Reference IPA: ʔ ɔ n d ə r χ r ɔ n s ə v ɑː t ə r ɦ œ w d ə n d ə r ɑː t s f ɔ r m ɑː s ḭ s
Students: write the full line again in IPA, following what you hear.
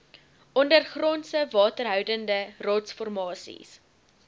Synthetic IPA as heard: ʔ ɔ n d ə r χ r ɔ n s ə v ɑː t ə r ɦ œ w d ə n d ə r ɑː t s f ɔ r m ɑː s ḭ s